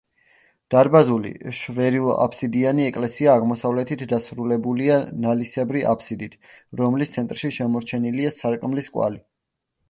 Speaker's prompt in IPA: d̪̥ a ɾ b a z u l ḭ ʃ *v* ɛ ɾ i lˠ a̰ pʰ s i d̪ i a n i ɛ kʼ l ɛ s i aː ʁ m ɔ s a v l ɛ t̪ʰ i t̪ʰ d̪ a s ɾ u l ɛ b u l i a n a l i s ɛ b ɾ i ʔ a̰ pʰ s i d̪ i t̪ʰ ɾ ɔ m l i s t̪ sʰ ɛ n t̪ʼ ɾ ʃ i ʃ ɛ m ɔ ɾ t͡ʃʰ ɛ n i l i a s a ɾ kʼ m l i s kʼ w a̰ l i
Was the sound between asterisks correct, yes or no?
yes